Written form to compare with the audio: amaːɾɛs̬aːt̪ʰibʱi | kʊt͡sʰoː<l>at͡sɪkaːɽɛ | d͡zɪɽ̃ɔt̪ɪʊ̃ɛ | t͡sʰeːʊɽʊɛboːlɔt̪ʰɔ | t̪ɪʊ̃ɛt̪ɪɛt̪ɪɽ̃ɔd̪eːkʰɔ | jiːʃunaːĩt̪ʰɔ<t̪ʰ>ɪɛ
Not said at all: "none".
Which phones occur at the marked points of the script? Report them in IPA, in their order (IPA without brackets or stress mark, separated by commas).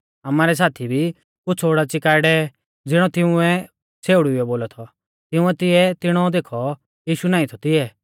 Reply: ɽ, t̪